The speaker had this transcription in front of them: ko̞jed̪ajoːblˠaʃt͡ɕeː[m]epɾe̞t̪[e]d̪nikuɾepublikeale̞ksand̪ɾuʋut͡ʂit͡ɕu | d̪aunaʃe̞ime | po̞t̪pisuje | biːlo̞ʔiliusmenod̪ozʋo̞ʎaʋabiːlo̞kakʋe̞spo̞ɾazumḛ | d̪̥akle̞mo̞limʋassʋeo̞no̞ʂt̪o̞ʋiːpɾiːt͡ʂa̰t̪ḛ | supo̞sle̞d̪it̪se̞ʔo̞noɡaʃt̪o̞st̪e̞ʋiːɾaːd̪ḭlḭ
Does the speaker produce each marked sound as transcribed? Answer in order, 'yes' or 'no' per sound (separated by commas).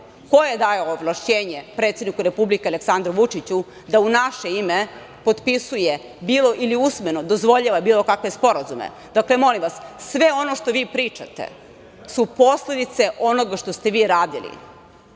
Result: no, yes